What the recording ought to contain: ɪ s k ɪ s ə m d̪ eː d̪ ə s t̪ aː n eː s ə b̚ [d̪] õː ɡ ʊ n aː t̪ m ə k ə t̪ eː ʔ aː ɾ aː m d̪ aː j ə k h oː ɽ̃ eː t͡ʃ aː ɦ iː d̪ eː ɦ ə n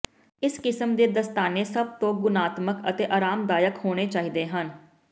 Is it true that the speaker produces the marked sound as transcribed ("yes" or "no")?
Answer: no